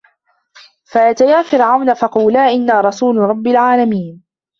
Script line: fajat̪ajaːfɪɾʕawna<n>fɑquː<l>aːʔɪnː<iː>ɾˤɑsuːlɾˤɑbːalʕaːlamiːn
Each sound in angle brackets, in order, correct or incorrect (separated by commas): incorrect, correct, incorrect